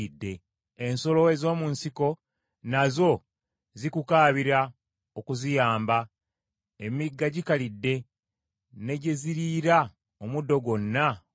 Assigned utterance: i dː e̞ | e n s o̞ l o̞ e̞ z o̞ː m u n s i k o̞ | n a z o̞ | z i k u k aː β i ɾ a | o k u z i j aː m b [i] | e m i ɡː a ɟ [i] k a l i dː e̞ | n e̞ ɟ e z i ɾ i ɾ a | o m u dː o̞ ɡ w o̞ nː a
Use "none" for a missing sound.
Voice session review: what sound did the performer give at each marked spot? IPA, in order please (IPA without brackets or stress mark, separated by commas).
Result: a, i